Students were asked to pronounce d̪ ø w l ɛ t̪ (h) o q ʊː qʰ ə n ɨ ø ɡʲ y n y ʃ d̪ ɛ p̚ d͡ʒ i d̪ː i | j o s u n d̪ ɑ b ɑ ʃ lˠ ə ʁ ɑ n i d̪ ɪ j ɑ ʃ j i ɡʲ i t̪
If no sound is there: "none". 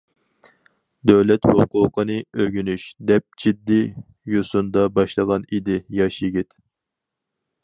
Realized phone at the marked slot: h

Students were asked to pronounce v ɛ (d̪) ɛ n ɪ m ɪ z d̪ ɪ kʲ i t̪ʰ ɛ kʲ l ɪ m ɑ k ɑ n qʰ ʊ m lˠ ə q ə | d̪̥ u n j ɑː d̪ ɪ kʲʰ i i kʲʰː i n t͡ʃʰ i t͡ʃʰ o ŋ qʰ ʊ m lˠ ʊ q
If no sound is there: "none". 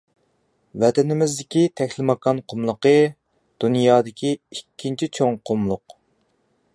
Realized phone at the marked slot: t̪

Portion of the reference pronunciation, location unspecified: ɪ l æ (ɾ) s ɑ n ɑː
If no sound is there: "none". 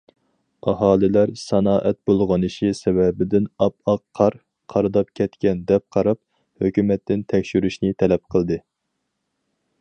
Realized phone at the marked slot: ɾ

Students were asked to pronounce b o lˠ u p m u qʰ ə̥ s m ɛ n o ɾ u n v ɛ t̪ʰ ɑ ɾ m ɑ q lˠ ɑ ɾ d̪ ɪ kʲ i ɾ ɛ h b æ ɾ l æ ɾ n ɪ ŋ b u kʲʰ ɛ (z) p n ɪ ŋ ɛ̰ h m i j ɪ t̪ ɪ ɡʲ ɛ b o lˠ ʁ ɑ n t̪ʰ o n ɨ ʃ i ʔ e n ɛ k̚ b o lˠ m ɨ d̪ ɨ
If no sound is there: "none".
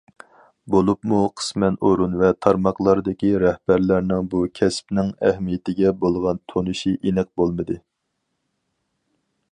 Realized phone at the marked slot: s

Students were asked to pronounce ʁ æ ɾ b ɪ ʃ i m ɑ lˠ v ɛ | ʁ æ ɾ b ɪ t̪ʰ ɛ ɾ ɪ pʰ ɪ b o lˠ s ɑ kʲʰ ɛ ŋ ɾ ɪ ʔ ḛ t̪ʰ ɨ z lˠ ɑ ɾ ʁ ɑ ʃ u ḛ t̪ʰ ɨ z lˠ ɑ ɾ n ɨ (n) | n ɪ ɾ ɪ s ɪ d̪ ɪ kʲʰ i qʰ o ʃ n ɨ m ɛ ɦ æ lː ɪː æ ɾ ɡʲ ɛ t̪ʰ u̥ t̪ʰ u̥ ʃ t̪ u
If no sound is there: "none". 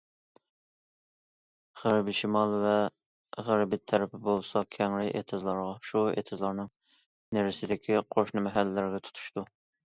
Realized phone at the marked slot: ŋ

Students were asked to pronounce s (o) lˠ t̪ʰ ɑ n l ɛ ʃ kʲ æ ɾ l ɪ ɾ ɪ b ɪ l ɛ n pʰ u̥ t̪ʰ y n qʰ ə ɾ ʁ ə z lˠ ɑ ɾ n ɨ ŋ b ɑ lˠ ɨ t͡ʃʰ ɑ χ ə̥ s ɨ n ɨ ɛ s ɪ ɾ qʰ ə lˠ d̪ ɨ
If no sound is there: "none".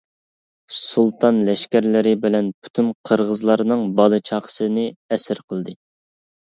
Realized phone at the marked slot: u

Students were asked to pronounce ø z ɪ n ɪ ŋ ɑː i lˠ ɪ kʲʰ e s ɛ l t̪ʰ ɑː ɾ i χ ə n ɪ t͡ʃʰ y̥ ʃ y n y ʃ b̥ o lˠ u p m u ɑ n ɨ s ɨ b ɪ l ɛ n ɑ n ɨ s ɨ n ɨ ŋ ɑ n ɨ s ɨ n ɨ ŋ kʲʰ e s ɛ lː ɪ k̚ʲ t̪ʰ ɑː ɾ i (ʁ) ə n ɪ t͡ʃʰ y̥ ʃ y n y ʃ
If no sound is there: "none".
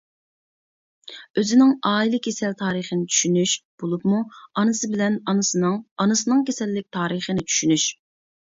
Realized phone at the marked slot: χ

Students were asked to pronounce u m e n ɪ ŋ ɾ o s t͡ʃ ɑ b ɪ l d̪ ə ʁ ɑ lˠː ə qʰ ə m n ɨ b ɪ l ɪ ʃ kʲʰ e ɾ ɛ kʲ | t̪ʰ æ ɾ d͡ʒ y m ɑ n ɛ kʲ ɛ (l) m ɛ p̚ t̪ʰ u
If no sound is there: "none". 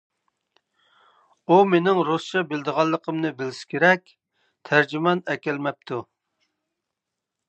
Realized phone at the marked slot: l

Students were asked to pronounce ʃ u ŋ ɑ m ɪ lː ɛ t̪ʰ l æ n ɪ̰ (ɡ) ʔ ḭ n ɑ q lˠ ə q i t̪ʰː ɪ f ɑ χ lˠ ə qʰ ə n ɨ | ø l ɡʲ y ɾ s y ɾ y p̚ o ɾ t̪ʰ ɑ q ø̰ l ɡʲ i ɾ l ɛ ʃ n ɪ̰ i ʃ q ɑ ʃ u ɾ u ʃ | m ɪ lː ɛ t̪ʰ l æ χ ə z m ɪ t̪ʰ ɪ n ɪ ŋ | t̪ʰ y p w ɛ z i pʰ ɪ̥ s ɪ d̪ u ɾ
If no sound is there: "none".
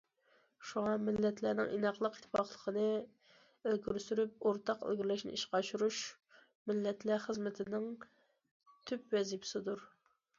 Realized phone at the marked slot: ŋ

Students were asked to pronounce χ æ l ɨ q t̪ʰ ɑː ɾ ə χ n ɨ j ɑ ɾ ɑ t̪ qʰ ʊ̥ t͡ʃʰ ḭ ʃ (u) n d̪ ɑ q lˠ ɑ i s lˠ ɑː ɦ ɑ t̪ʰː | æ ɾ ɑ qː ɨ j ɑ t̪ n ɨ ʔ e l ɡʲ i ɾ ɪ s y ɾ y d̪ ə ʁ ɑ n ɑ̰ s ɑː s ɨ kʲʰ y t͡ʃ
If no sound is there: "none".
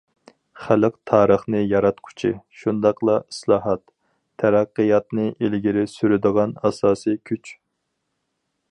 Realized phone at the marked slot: u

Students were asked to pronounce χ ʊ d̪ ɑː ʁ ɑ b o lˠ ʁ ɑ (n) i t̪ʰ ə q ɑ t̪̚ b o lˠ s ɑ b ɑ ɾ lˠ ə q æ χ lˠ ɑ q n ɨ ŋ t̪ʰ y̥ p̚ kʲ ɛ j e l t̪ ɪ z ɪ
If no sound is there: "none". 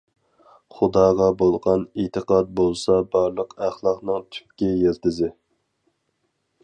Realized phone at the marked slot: n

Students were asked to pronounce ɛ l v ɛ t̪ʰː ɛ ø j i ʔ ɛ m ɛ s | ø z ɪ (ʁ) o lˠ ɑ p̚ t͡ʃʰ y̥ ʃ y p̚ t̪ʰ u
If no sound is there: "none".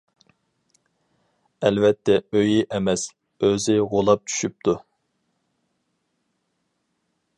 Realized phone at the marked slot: ʁ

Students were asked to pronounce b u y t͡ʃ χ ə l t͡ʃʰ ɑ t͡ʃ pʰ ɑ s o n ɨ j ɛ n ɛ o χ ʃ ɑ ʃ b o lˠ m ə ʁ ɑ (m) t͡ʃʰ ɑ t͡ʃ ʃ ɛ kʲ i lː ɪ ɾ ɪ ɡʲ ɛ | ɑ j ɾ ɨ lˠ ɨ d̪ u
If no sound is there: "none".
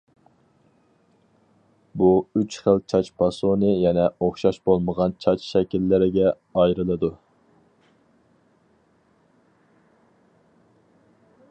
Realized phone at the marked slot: n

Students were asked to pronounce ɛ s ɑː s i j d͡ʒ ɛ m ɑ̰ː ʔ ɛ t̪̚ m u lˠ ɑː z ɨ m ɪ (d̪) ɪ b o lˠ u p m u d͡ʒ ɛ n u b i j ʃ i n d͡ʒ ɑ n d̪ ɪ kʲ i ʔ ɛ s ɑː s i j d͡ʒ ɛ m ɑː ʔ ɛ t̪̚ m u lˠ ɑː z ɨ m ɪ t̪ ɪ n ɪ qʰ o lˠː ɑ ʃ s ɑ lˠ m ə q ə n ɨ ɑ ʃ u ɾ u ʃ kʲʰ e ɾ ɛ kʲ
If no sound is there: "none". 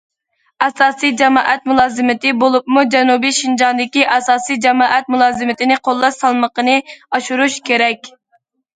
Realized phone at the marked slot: t̪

